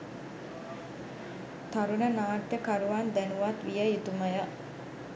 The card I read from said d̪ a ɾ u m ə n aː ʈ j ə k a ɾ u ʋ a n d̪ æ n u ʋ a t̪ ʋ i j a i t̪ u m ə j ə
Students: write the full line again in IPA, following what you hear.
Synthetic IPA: t̪ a ɾ u n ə n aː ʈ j ə k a ɾ u ʋ a n d̪ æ n u ʋ a t̪ ʋ i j ə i t̪ u m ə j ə